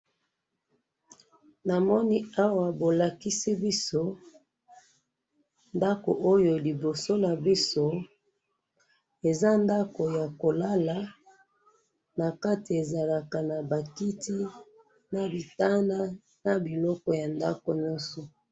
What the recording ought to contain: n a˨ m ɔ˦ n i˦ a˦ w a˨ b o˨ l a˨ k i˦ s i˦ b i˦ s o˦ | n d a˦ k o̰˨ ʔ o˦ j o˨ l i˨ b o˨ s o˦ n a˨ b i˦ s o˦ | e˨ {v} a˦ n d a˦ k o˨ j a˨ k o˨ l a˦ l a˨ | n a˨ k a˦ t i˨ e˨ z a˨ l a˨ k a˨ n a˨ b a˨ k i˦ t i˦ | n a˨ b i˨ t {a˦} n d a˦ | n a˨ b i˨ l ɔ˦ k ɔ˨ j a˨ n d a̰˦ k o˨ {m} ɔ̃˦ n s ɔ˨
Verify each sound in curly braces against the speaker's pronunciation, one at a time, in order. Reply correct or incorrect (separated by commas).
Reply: incorrect, correct, incorrect